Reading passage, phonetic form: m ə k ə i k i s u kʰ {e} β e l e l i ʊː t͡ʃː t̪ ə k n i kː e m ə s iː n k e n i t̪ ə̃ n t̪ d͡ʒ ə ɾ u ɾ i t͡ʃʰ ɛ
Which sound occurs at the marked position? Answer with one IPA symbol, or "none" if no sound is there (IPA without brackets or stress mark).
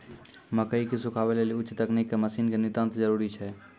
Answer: a